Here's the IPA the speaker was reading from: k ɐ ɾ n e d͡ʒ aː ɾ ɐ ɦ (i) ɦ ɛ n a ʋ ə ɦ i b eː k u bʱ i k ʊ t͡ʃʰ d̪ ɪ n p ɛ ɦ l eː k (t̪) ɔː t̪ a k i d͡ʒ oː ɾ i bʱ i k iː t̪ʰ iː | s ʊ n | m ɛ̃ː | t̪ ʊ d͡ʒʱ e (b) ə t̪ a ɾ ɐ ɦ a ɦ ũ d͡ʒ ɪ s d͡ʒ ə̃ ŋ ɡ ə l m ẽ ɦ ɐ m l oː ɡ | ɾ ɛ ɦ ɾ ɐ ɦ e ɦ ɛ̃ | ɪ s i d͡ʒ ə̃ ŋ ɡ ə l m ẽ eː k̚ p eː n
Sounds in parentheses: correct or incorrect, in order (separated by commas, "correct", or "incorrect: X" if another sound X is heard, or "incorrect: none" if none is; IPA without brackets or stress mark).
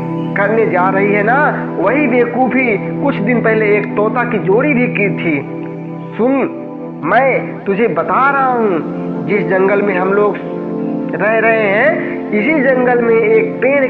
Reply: correct, correct, correct